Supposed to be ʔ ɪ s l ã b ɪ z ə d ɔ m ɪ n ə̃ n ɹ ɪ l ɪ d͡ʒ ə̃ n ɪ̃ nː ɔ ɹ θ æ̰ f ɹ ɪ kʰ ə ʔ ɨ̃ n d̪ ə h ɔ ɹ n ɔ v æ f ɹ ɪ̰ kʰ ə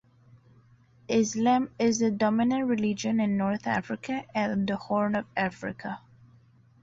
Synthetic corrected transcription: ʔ ɪ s l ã m ɪ z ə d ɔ m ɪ n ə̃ n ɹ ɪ l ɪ d͡ʒ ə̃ n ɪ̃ nː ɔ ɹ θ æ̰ f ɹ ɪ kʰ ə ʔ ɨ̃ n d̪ ə h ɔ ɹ n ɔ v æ f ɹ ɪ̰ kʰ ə